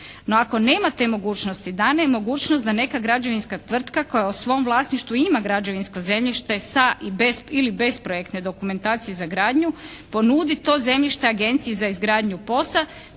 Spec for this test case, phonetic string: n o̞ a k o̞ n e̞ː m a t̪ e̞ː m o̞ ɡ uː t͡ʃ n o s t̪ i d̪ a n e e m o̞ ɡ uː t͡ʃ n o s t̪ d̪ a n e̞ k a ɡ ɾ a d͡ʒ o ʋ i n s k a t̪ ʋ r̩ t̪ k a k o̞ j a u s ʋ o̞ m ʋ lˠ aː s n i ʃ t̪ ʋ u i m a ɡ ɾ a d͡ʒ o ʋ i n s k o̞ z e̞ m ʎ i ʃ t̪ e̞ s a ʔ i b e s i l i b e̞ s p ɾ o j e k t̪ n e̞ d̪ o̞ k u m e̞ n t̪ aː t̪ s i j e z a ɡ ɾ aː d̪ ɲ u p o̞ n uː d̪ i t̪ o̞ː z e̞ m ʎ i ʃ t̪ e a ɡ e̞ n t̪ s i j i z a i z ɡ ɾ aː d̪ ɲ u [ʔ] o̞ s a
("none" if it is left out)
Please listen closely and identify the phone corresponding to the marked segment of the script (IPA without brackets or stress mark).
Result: p